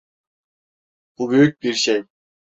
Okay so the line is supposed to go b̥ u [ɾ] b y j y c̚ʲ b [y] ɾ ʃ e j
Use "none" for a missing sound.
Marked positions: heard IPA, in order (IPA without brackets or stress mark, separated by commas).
none, i